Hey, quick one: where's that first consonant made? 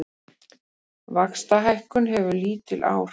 lips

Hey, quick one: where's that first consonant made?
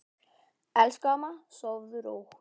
tongue tip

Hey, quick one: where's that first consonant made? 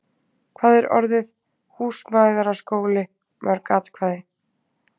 velum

